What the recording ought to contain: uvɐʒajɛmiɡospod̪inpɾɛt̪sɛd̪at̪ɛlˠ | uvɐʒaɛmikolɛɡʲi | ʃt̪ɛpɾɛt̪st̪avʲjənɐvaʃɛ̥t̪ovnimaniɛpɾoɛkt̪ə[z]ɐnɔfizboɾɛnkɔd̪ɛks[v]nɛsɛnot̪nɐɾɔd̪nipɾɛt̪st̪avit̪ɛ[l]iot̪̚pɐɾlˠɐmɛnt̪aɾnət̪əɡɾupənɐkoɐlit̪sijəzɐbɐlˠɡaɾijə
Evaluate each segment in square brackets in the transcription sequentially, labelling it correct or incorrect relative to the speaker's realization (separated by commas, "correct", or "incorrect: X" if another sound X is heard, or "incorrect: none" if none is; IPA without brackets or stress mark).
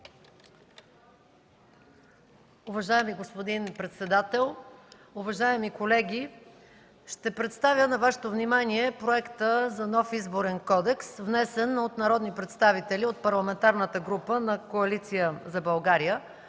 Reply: correct, correct, correct